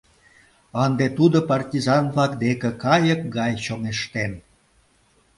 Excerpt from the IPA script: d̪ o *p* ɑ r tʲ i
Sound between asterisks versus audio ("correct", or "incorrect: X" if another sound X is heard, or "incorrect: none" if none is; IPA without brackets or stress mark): correct